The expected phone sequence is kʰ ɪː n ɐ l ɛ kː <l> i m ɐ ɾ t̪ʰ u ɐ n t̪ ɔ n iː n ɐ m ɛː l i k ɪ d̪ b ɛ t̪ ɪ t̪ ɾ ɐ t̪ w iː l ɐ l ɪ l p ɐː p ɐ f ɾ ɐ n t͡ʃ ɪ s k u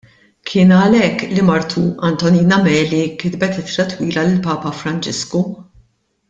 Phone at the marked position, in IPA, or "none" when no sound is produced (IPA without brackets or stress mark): l